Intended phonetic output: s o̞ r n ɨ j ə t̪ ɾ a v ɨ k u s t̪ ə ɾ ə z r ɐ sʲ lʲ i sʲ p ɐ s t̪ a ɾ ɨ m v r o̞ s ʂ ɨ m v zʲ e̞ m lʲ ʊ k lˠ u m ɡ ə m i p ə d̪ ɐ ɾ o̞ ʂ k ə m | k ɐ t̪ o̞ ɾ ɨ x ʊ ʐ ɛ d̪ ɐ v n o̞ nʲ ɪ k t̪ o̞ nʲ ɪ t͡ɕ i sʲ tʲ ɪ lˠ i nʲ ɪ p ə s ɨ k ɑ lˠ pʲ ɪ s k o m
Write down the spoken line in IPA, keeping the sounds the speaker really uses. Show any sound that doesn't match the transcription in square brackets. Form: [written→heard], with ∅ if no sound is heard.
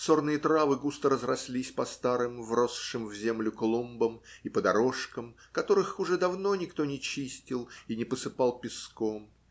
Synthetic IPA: s o̞ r n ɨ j ə t̪ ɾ a v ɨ [k→ɡ] u s t̪ ə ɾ ə z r ɐ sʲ lʲ i sʲ p ɐ s t̪ a ɾ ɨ m v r o̞ s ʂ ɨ m v zʲ e̞ m lʲ ʊ k lˠ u m [ɡ→b] ə m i p ə d̪ ɐ ɾ o̞ ʂ k ə m | k ɐ t̪ o̞ ɾ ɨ x ʊ ʐ ɛ d̪ ɐ v n o̞ nʲ ɪ k t̪ o̞ nʲ ɪ t͡ɕ i sʲ tʲ ɪ lˠ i nʲ ɪ p ə s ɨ [k→p] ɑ lˠ pʲ ɪ s k o m